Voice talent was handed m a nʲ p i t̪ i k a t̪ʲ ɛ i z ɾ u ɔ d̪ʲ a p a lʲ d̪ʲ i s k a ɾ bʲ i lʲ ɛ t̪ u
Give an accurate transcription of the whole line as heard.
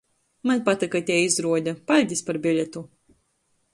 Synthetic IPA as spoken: m a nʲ p a t̪ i k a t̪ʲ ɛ i z ɾ u ɔ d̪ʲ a p a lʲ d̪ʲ i s p a ɾ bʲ i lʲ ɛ t̪ u